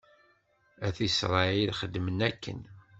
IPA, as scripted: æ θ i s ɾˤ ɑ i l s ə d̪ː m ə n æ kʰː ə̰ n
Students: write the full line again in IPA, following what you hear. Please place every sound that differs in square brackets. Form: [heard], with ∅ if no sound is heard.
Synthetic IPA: æ θ i s ɾˤ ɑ i l [χ] ə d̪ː m ə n æ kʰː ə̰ n